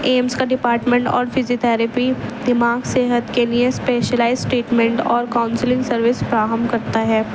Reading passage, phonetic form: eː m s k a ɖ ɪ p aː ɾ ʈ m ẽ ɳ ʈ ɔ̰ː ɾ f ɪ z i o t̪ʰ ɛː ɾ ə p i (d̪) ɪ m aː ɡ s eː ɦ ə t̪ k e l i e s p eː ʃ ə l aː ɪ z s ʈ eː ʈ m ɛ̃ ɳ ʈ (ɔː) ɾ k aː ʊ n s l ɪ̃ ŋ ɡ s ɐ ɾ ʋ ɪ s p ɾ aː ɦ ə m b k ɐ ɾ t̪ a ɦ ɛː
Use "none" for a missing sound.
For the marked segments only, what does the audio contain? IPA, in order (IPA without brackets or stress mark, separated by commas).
d̪, ɔː